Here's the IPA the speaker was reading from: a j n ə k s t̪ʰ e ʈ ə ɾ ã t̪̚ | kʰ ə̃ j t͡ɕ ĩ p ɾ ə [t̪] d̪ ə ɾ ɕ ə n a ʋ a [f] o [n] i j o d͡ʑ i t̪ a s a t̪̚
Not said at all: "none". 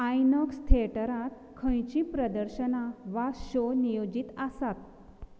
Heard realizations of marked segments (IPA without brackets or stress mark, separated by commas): none, ɕ, n